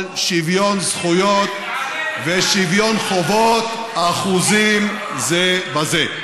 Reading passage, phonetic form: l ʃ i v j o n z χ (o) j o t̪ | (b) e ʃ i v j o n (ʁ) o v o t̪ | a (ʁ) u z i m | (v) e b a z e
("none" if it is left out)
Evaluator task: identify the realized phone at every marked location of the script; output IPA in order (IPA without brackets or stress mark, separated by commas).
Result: u, v, χ, χ, z